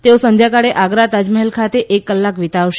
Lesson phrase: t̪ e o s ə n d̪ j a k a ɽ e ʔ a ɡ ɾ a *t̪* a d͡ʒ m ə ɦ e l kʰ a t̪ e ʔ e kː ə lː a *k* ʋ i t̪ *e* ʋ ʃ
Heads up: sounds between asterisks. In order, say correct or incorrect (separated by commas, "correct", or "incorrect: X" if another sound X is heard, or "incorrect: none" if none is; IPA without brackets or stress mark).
correct, correct, incorrect: a